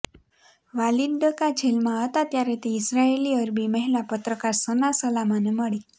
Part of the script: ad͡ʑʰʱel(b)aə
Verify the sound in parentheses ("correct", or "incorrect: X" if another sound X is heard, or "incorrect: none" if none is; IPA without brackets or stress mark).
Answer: incorrect: m